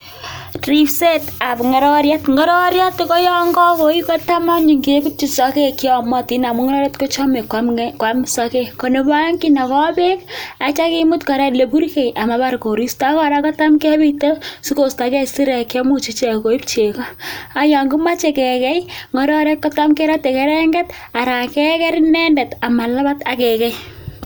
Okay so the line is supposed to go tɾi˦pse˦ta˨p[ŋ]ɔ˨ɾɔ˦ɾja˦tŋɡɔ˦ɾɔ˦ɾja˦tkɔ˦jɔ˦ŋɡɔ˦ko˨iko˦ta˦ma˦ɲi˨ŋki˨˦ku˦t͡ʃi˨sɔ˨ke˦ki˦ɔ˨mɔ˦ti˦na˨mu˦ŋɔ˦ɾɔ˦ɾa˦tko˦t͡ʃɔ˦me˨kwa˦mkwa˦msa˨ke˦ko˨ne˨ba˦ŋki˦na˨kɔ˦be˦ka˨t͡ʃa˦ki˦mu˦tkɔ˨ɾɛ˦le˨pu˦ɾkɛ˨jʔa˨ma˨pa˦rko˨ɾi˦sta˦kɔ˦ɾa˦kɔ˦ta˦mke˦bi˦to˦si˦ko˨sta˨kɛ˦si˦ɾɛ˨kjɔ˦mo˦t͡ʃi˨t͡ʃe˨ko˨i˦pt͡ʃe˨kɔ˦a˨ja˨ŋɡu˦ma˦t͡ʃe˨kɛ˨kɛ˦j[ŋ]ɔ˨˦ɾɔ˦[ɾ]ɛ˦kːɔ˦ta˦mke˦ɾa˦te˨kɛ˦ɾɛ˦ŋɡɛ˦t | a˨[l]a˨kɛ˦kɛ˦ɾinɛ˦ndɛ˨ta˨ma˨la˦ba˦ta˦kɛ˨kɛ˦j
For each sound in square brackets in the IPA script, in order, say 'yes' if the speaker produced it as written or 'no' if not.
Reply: yes, yes, yes, no

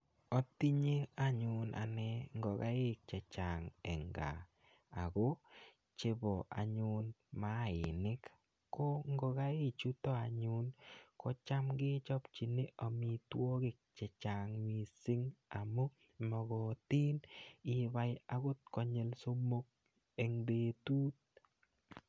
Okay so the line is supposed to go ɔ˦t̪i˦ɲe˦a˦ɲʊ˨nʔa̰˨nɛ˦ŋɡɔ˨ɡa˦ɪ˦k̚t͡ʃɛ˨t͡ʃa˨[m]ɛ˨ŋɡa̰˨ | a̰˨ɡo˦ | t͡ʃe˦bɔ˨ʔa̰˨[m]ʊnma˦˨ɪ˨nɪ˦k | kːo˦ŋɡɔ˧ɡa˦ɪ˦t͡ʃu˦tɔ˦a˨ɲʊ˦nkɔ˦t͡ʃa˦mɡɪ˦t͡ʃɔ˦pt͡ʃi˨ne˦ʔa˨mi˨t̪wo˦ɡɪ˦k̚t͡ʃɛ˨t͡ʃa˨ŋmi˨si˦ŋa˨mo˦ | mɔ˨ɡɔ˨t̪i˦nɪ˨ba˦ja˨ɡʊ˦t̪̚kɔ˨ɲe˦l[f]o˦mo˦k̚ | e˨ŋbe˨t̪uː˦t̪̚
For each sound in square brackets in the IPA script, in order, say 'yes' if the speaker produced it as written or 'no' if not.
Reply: no, no, no

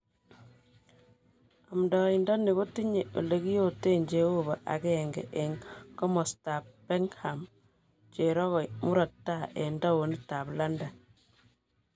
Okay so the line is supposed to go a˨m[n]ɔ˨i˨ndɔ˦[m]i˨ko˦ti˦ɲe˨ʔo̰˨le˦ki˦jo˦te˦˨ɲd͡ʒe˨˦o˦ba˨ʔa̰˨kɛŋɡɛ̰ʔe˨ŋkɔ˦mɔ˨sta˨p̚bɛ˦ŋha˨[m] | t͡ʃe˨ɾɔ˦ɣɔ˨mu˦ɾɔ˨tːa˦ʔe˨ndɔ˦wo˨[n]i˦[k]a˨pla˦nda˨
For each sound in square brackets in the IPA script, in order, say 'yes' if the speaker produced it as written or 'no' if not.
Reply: no, no, yes, yes, no

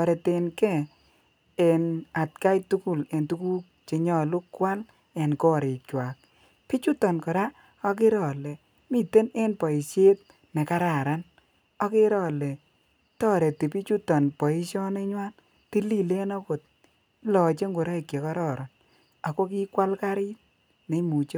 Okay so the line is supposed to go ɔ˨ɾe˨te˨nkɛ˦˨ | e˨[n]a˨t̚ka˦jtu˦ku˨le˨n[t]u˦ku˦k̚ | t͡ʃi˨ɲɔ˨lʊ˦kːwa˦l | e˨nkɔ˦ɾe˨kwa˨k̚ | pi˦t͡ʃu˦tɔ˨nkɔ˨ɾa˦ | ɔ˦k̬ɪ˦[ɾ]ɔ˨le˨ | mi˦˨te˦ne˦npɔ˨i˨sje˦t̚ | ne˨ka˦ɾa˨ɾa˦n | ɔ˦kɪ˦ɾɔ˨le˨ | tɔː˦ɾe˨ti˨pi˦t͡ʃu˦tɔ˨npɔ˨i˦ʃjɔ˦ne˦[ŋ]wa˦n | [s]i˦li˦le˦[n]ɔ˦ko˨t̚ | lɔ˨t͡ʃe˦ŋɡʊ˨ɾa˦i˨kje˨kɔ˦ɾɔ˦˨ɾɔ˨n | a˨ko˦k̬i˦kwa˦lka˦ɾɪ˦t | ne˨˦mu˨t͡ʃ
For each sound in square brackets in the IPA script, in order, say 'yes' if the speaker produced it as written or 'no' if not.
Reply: yes, yes, yes, no, no, yes

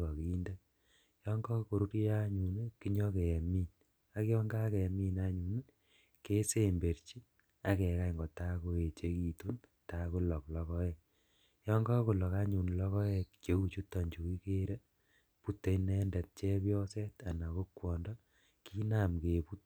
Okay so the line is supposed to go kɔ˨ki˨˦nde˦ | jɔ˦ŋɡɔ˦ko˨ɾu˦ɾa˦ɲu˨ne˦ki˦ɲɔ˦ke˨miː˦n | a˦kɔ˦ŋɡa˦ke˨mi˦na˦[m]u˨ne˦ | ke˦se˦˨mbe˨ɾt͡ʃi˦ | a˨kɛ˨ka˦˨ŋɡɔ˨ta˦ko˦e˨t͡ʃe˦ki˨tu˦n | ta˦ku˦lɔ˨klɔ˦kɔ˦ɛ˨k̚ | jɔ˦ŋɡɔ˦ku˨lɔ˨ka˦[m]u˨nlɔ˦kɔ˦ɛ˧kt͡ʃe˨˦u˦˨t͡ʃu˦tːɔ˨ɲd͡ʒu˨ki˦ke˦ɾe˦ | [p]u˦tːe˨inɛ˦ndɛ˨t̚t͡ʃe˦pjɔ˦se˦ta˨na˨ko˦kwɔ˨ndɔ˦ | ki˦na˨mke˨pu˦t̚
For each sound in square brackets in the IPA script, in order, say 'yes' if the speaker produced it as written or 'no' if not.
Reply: no, no, yes

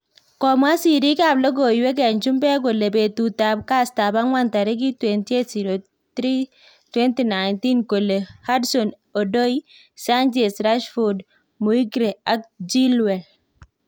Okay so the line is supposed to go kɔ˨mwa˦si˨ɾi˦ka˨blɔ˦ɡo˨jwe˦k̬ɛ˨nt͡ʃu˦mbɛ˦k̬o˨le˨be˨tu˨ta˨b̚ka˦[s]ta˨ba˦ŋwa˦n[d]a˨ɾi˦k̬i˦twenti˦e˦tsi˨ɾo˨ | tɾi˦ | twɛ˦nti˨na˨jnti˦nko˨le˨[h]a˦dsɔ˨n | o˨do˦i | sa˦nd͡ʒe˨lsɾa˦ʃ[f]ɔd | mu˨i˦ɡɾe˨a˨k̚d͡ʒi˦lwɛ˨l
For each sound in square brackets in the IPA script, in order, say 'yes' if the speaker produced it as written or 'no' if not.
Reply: yes, no, yes, yes

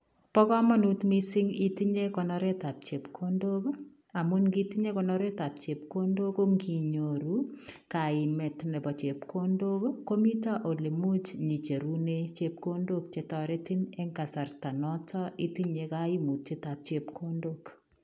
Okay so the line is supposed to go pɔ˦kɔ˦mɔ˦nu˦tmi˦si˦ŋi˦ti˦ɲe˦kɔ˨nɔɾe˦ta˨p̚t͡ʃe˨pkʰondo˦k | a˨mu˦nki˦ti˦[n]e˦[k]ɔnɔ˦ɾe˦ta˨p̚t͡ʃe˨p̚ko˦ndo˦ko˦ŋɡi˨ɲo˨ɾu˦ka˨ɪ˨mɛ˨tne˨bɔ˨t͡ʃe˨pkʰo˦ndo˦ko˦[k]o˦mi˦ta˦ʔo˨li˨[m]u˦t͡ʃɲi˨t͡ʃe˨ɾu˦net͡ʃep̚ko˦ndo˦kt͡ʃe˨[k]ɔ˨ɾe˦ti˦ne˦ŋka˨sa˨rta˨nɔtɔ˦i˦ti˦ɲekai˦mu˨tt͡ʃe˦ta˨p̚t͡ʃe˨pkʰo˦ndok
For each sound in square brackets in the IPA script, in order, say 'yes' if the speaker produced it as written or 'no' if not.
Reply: no, yes, yes, yes, no

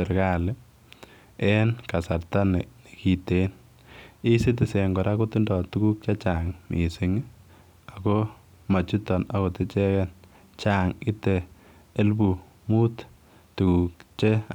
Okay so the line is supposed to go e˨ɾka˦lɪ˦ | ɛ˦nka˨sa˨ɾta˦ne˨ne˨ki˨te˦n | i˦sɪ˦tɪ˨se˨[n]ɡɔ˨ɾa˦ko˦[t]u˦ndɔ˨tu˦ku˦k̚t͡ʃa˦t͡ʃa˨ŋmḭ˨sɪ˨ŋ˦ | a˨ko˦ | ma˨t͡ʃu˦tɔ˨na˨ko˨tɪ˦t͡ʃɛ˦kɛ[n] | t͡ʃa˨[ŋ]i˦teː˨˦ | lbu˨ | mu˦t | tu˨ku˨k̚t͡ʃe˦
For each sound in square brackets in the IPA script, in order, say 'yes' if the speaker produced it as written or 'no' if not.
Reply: no, yes, yes, yes

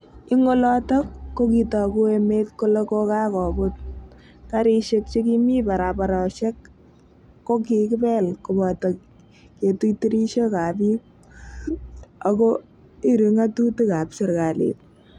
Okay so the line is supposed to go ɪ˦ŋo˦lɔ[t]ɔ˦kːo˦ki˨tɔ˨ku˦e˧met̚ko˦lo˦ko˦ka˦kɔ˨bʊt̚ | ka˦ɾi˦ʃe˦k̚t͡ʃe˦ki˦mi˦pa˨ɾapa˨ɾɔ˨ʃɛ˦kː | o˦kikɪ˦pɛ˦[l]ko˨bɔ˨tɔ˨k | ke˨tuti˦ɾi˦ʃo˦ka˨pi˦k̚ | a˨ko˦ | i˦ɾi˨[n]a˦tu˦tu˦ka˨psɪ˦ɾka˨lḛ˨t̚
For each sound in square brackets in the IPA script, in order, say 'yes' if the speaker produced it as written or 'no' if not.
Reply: yes, yes, no

